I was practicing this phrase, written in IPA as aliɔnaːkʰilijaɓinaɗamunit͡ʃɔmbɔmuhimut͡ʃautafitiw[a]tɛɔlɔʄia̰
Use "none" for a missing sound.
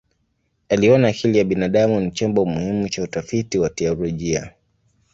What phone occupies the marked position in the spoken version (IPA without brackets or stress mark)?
a